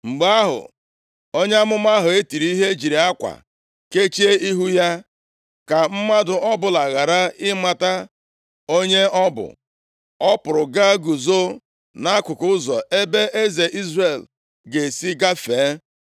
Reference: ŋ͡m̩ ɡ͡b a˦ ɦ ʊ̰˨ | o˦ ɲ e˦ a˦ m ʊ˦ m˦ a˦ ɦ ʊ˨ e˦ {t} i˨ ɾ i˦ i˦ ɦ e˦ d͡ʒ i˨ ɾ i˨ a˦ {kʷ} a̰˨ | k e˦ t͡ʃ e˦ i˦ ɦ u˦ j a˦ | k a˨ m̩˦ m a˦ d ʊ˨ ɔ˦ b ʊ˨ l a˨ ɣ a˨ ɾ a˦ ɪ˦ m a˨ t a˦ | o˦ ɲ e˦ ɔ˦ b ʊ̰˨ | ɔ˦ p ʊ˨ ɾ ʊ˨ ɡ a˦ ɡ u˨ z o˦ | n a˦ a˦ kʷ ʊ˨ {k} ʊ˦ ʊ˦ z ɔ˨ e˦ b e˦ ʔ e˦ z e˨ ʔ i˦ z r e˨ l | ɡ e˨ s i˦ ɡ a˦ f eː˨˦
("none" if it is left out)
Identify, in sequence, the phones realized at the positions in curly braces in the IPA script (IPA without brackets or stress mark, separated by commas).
t, kʷ, k